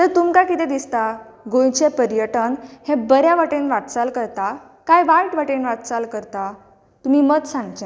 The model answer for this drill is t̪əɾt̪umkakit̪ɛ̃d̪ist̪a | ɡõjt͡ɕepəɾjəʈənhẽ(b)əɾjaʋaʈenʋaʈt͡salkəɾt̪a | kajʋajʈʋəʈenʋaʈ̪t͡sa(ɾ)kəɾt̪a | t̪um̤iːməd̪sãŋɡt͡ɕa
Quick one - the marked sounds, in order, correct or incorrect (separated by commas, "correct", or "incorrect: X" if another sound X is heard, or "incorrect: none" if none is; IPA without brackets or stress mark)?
correct, incorrect: l